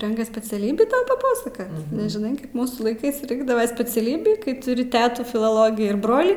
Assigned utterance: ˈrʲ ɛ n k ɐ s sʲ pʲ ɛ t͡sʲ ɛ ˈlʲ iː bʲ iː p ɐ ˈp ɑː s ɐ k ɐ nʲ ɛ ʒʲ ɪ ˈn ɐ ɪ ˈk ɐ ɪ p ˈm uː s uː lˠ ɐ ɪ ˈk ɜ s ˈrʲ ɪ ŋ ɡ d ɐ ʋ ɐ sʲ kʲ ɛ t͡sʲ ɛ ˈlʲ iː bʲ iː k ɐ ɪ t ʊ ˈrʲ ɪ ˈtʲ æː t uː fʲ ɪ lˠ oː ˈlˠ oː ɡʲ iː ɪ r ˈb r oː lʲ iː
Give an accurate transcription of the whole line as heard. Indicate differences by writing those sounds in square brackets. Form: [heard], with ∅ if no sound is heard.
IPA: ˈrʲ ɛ [ŋ] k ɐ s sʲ pʲ ɛ t͡sʲ ɛ ˈlʲ iː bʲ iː p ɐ ˈp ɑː s ɐ k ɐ nʲ ɛ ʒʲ ɪ ˈn ɐ ɪ ˈk ɐ ɪ p ˈm uː s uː lˠ ɐ ɪ ˈk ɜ s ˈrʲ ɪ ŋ ɡ d ɐ ʋ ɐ sʲ [pʲ] ɛ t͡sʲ ɛ ˈlʲ iː bʲ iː k ɐ ɪ t ʊ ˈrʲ ɪ ˈtʲ æː t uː fʲ ɪ lˠ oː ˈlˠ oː ɡʲ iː ɪ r ˈb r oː lʲ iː